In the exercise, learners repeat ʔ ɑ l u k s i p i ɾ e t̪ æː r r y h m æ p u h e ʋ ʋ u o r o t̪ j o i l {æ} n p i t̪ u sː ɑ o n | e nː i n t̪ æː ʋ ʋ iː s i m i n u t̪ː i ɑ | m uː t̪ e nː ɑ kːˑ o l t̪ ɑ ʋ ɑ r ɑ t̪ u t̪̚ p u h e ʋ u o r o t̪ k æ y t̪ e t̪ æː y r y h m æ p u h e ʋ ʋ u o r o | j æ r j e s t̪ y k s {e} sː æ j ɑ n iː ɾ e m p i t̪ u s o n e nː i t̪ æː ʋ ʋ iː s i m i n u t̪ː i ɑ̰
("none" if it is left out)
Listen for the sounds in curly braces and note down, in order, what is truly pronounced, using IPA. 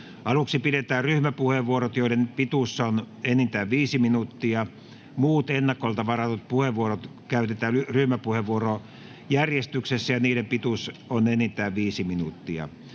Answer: e, e

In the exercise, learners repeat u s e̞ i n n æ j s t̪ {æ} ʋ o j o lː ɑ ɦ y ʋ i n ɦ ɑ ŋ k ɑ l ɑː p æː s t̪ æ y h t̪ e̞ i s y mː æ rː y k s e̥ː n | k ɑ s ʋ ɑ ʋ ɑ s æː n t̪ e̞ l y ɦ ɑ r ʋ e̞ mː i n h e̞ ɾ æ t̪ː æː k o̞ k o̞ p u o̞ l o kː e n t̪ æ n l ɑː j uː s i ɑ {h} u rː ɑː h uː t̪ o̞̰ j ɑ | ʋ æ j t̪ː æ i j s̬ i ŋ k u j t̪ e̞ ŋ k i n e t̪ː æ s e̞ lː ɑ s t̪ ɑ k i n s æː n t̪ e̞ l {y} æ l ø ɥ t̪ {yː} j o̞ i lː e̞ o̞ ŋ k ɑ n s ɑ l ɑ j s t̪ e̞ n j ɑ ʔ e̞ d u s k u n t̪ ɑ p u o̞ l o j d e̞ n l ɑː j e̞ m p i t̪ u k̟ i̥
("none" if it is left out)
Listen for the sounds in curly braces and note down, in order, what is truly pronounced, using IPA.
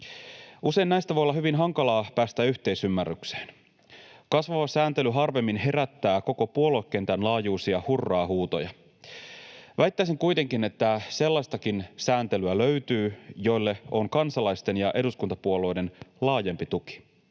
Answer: æ, h, y, yː

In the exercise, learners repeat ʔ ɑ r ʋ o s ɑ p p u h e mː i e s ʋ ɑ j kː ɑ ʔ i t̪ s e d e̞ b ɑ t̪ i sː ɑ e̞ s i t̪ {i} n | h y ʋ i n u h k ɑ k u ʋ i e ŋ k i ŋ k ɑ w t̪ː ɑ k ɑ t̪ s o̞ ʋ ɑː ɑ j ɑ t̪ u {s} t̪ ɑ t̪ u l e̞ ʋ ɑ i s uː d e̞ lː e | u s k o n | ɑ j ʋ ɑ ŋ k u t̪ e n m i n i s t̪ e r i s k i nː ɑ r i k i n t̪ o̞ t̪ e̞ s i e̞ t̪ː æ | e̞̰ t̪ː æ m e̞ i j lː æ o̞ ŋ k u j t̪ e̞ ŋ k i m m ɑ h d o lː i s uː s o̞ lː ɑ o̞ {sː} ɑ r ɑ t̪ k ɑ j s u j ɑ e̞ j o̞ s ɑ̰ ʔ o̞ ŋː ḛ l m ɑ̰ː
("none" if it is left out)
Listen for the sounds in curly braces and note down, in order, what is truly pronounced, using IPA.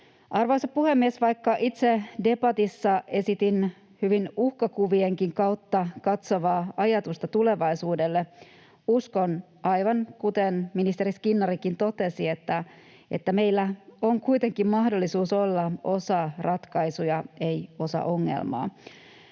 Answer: i, s, s

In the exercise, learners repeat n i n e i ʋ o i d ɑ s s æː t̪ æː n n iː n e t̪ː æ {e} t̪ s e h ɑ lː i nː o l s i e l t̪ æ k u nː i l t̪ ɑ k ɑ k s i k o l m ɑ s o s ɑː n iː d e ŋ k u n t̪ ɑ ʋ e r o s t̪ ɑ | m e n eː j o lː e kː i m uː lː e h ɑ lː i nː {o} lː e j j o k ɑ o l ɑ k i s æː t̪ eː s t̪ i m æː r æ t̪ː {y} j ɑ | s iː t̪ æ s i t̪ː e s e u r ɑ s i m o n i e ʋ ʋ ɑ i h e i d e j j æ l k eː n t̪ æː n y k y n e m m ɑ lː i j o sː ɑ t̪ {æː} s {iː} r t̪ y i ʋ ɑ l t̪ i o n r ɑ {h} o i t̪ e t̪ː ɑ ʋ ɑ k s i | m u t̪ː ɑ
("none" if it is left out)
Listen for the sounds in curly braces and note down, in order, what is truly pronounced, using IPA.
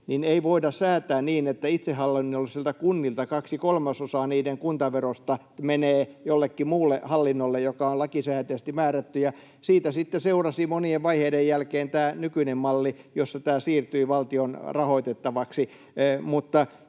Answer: i, o, y, æː, iː, h

